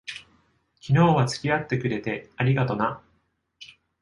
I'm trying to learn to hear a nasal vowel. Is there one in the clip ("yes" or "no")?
no